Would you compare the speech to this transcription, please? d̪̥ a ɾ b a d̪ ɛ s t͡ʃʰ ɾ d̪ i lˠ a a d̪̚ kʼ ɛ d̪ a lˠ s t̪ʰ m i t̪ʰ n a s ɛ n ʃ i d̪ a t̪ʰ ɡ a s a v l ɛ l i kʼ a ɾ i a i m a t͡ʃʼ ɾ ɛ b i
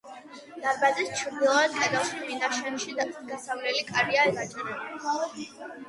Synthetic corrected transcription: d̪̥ a ɾ b a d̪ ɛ s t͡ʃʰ ɾ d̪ i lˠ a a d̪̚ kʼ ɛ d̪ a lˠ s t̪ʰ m i n a ʃ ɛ n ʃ i d̪ a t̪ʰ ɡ a s a v l ɛ l i kʼ a ɾ i a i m a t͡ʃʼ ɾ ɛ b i